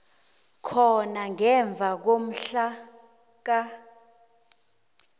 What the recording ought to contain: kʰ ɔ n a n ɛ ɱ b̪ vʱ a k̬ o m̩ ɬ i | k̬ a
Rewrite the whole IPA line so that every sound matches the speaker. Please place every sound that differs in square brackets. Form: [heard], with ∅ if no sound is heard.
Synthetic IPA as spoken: kʰ ɔ n a [ŋ] ɛ ɱ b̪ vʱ a k̬ o m̩ ɬ [a] | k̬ a